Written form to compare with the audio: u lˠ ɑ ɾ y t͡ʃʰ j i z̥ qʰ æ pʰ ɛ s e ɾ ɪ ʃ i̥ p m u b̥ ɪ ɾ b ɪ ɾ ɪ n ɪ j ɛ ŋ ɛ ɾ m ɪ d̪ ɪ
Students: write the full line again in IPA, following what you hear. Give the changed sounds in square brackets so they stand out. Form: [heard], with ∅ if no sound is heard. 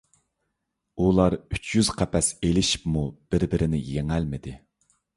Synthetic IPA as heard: u lˠ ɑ ɾ y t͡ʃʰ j [y] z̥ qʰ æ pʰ ɛ s e [l] ɪ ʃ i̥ p m u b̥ ɪ ɾ b ɪ ɾ ɪ n ɪ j [e] ŋ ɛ [l] m ɪ d̪ ɪ